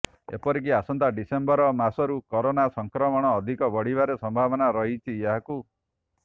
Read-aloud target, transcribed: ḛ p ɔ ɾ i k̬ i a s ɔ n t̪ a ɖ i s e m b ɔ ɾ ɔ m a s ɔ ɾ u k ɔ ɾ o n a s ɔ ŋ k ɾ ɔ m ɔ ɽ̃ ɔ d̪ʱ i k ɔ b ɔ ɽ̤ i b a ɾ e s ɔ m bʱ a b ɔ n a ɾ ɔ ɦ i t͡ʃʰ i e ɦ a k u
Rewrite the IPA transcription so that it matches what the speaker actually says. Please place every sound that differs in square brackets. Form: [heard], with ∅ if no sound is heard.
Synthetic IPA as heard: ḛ p ɔ ɾ i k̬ i a s ɔ n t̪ a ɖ i s e m b ɔ ɾ ɔ m a s ɔ ɾ u k ɔ ɾ o n a s ɔ ŋ k ɾ ɔ m ɔ ɽ̃ [ɔː] d̪ʱ i k ɔ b ɔ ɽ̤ i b a ɾ e s ɔ m bʱ a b ɔ n a ɾ ɔ ɦ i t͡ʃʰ i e ɦ a k u